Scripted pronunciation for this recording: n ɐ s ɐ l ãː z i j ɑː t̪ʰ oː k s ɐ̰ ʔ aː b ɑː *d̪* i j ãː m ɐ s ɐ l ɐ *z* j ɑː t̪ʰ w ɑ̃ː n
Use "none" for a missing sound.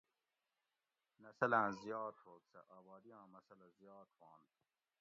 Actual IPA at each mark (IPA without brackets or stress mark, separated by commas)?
d̪, z